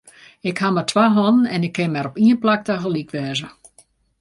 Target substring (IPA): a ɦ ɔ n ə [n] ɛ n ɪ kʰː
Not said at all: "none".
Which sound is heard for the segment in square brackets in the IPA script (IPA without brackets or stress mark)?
n